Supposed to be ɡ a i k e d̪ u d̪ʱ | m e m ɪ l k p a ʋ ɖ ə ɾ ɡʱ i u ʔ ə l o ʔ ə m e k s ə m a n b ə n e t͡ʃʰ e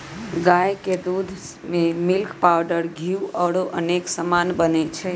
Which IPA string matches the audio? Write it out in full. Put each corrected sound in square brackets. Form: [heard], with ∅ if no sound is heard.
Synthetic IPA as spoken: ɡ a [j] k e d̪ u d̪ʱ | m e m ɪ l k p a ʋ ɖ ə ɾ ɡʱ i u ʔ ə [ɽ] o ʔ ə [n] e k s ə m a n b ə n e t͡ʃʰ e